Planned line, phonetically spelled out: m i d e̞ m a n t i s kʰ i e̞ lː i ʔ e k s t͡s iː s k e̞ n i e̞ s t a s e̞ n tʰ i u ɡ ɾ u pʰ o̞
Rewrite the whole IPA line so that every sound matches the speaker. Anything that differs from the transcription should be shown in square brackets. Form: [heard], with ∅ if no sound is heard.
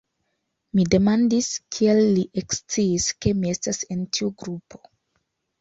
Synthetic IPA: m i d e̞ m a n [d] i s kʰ i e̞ lː i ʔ e k s t͡s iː s k e̞ [m] i e̞ s t a s e̞ n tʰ i u ɡ ɾ u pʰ o̞